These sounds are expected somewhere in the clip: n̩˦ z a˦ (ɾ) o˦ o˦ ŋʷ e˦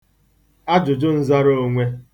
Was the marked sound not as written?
no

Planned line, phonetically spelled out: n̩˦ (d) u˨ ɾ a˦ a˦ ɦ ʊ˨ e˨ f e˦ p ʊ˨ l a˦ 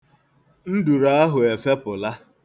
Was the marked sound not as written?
no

